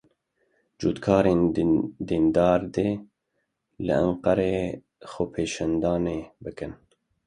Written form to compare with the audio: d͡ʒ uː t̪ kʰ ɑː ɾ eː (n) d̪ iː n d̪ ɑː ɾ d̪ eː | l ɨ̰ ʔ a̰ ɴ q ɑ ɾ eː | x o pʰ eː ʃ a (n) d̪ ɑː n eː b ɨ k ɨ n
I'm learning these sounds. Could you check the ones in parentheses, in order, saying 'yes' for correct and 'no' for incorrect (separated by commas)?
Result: yes, yes